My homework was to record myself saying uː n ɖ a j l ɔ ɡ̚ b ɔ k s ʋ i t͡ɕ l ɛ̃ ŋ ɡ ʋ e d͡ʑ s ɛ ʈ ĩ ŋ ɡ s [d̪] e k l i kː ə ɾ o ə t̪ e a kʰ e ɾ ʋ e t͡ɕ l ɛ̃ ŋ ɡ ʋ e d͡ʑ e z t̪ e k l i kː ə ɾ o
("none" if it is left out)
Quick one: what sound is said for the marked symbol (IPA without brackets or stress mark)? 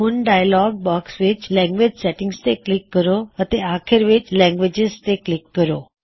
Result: t̪